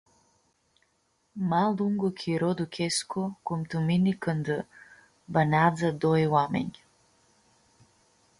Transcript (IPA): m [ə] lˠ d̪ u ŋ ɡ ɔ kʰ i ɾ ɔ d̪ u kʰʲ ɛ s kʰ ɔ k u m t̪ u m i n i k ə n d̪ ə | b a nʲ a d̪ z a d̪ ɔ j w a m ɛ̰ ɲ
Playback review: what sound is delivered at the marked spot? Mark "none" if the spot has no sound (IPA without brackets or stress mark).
a